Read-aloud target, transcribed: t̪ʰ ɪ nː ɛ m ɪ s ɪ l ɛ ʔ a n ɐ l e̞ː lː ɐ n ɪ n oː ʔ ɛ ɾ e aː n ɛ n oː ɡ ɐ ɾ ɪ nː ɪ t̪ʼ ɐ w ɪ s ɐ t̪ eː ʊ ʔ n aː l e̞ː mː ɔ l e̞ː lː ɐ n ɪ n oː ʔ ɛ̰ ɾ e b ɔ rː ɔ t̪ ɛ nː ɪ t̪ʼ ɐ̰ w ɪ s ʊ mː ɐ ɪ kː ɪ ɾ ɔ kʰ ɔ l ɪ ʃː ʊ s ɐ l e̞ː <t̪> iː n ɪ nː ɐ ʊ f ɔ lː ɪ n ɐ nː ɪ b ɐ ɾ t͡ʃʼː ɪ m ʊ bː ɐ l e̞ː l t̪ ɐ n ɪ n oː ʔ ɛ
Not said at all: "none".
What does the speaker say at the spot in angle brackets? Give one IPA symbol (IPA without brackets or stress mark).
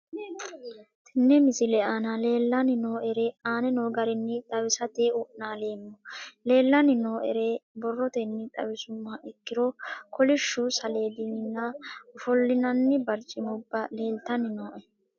d̪